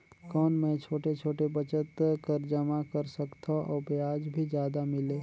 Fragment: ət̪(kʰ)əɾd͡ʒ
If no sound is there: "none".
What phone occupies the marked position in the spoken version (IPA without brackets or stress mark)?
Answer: k